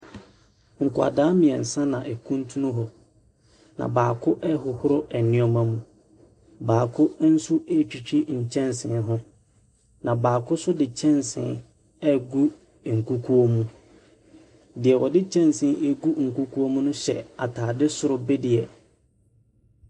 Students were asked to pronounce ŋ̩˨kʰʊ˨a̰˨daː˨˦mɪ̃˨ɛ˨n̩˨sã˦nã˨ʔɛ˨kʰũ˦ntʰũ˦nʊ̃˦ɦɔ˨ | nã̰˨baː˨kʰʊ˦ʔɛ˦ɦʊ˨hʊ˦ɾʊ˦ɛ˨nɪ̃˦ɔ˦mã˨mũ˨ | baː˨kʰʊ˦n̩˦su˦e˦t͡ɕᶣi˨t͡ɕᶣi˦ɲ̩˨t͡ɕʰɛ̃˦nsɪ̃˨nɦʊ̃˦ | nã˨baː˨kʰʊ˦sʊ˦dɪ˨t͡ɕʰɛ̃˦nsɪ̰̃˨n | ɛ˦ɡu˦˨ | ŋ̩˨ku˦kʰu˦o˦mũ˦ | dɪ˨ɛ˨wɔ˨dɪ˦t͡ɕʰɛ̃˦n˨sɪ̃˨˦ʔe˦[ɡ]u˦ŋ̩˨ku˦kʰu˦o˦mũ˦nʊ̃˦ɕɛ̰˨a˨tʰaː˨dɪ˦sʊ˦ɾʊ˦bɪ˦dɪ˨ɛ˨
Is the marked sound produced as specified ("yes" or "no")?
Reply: yes